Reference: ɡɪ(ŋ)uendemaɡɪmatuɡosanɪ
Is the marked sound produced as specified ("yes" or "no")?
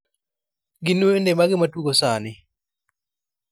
no